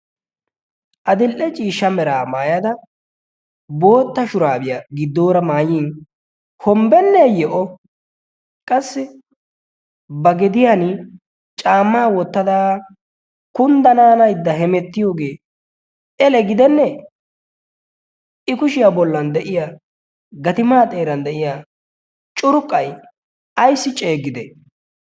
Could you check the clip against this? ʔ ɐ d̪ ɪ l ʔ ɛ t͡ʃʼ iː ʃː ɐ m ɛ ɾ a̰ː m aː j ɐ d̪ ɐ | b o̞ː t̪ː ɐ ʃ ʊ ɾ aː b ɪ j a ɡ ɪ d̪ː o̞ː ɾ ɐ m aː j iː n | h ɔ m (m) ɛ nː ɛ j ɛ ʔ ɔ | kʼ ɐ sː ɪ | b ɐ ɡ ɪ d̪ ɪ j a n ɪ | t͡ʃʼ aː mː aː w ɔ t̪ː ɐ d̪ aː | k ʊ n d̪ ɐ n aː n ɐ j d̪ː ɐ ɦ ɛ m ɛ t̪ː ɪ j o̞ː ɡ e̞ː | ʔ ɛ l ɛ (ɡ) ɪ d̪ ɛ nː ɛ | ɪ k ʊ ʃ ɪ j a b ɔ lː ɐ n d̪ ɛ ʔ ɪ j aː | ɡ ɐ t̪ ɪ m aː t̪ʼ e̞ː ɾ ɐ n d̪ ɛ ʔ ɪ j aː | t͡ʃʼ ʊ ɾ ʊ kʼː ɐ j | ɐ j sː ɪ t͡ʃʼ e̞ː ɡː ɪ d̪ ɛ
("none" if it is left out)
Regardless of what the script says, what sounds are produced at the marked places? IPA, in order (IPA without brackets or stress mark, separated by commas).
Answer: b, ɡ